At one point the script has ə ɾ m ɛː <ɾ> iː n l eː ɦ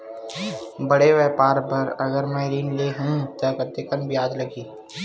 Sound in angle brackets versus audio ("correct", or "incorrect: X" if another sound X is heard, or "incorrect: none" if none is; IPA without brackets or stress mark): correct